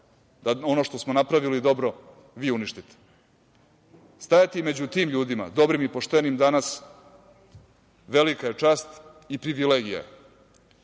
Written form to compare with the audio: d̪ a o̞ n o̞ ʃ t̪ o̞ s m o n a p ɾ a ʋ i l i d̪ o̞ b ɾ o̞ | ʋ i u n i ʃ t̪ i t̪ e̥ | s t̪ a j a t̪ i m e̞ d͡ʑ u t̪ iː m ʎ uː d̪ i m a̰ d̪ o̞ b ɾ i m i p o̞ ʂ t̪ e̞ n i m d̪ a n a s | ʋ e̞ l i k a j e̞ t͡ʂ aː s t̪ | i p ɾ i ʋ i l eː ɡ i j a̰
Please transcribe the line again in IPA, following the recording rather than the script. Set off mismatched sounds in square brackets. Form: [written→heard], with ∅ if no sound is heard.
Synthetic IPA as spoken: d̪ a o̞ n o̞ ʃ t̪ o̞ s m o n a p ɾ a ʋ i l i d̪ o̞ b ɾ o̞ | ʋ i u n i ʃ t̪ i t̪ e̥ | s t̪ a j a t̪ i m e̞ d͡ʑ u t̪ iː m ʎ uː d̪ i m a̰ d̪ o̞ b ɾ i m i p o̞ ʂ t̪ e̞ n i m d̪ a n a s | ʋ e̞ l i k a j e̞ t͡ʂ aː s t̪ | i p ɾ i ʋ i l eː ɡ i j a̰